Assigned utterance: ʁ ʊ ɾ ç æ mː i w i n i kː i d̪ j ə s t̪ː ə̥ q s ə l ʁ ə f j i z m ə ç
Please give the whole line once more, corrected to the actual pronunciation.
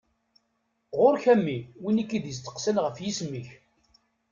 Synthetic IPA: ʁ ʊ ɾ ç æ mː i w i n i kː i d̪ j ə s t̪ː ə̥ q s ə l ʁ ə f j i s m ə ç